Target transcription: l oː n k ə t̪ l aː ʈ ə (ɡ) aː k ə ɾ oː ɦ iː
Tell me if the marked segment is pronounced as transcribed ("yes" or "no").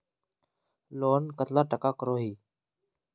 no